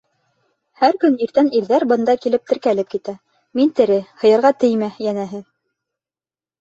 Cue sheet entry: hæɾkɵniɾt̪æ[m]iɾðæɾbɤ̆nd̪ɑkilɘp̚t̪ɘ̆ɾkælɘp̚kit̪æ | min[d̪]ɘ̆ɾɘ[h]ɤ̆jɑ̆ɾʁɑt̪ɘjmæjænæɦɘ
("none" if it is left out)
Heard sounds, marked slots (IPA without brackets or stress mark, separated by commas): n, t̪, h